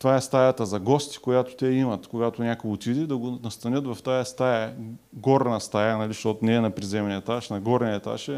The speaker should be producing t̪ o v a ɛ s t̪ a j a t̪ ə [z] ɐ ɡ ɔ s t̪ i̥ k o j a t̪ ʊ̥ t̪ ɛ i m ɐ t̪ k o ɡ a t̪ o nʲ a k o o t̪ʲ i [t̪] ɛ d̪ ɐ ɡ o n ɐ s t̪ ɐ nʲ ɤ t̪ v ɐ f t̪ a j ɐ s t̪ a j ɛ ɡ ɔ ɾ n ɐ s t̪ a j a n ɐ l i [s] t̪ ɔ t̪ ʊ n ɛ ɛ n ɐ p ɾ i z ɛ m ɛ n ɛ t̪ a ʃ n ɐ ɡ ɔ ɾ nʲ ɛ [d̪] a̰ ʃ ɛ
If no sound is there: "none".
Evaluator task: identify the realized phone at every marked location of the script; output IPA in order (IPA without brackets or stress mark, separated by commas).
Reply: z, d̪, ʃ, t̪